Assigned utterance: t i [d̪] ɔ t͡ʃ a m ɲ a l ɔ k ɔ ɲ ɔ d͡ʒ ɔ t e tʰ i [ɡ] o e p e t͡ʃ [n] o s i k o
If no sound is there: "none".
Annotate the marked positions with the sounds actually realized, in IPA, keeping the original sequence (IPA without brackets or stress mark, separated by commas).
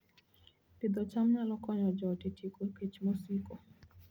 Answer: d̪, k, m